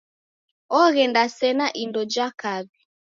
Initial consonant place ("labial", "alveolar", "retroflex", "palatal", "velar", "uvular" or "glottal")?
velar